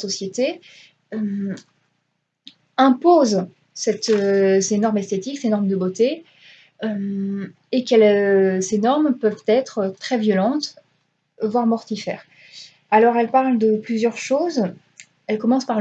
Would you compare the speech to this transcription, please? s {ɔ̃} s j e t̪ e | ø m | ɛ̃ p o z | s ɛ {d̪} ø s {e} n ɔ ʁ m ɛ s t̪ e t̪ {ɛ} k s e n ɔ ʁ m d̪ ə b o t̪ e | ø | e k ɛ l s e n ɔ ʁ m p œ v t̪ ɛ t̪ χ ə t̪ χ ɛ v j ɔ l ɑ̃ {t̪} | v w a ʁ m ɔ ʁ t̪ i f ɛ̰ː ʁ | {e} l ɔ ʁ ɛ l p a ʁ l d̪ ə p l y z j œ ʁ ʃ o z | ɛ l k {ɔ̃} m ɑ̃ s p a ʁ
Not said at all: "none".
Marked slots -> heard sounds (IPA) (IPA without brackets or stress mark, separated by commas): ɔ, t̪, e, i, t̪, a, ɔ